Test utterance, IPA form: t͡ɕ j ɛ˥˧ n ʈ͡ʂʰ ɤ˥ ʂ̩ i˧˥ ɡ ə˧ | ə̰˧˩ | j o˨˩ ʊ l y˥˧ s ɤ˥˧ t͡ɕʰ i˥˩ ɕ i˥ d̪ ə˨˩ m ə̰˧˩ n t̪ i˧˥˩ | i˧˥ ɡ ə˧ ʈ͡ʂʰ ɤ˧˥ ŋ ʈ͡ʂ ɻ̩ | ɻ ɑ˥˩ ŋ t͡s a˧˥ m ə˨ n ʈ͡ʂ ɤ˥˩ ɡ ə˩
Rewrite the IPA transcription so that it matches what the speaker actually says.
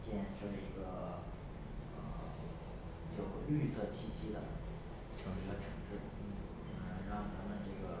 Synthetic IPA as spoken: t͡ɕ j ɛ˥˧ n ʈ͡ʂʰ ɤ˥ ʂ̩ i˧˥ ɡ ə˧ | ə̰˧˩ | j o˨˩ ʊ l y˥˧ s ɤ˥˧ t͡ɕʰ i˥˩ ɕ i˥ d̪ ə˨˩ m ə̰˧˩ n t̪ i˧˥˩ | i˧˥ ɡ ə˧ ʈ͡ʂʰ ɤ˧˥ ŋ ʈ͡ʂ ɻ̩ | ɻ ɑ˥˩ ŋ t͡s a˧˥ m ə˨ n ʈ͡ʂ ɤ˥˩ ɡ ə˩